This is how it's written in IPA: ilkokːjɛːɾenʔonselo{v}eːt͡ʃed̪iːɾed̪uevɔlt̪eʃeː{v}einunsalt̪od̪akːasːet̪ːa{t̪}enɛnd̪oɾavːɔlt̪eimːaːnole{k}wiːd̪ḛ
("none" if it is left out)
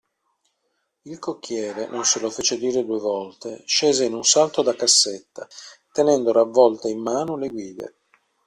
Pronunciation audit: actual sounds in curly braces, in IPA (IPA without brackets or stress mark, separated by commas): f, z, t̪, ɡ